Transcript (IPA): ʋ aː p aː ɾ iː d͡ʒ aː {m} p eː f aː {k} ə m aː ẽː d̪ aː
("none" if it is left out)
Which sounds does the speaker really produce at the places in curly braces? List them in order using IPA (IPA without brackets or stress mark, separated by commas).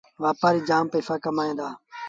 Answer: m, k